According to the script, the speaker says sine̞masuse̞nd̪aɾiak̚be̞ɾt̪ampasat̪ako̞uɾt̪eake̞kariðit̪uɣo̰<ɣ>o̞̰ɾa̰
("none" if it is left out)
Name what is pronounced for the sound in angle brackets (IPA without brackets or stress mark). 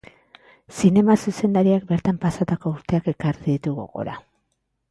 ɣ